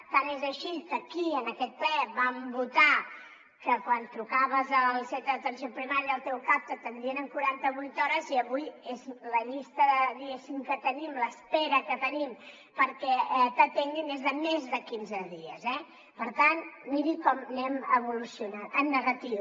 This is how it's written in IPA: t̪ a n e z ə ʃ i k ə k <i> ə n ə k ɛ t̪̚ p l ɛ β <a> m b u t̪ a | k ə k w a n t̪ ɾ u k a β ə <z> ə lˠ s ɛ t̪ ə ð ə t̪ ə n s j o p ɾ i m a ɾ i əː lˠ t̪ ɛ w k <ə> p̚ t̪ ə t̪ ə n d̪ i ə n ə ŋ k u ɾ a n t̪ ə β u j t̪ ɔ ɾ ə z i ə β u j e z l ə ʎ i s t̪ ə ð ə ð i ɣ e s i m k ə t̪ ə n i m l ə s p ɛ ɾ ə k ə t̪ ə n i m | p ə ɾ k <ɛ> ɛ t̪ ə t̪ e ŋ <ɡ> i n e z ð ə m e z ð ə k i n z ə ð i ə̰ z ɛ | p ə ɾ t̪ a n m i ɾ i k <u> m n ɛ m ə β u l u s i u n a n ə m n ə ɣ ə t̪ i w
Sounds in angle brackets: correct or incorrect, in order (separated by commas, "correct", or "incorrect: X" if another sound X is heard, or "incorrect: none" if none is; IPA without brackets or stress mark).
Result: correct, correct, correct, incorrect: a, correct, correct, incorrect: ɔ